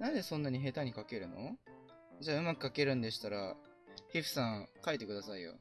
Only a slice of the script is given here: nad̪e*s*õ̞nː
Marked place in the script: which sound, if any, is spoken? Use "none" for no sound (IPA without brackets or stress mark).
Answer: s